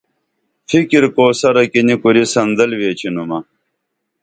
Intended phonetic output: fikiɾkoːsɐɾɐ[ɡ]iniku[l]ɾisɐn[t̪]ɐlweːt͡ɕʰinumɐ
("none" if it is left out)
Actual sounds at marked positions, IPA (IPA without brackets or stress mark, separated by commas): k, none, d̪